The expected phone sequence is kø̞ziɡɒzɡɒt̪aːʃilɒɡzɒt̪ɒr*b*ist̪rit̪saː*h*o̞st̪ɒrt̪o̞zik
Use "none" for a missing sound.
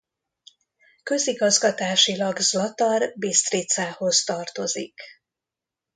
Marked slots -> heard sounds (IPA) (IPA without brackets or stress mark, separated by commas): b, h